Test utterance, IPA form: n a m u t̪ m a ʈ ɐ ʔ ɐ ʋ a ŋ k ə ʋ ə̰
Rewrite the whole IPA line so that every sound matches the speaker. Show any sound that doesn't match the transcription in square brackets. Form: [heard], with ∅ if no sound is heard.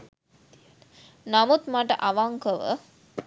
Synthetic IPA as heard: n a m u t̪ m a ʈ [ə] ʔ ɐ ʋ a ŋ k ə ʋ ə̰